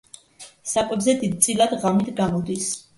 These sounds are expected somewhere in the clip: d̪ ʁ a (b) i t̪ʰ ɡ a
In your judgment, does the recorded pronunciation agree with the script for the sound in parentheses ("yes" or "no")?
no